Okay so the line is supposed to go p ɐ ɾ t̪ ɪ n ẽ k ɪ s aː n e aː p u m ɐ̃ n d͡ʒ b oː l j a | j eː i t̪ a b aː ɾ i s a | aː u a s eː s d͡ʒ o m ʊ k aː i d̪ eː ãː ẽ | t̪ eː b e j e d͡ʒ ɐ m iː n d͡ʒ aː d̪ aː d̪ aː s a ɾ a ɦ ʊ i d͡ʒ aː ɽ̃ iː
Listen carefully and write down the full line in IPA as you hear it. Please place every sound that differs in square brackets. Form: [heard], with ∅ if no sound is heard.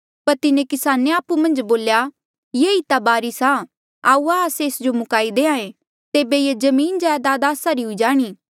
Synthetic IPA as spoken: p ɐ ɾ t̪ ɪ n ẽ k ɪ s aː n e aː p u m ɐ̃ n d͡ʒ b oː l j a | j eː i t̪ a b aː ɾ i s a | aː u a s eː s d͡ʒ o m ʊ k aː i d̪ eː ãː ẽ | t̪ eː b e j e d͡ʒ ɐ m iː n d͡ʒ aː d̪ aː d̪ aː s a ɾ [i] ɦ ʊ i d͡ʒ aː ɽ̃ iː